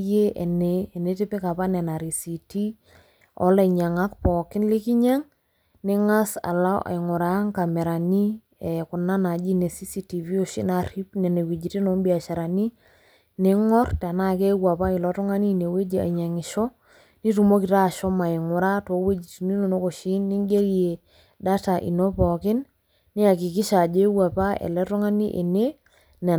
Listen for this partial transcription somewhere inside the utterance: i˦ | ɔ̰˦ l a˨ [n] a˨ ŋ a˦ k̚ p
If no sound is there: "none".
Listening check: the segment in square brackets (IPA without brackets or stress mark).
ɲ